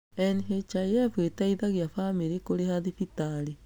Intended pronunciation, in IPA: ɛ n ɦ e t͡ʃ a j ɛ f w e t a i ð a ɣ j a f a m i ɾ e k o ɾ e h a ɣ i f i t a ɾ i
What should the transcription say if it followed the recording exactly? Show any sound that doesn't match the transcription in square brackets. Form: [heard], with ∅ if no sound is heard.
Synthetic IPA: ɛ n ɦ e t͡ʃ a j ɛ f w e t a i ð a ɣ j a f a m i ɾ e k o ɾ e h a [ð] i f i t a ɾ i